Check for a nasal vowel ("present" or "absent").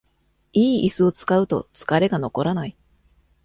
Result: absent